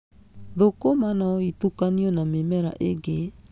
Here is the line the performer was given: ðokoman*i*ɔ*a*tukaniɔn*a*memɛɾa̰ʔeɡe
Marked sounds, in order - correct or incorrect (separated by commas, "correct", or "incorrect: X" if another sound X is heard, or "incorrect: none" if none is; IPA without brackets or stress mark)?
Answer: incorrect: a, incorrect: i, correct